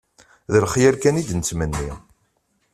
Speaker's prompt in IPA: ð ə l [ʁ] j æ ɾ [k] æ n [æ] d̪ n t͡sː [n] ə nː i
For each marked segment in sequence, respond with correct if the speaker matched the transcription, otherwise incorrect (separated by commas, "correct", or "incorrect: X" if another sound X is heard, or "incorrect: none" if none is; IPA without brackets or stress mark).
incorrect: χ, correct, incorrect: i, incorrect: m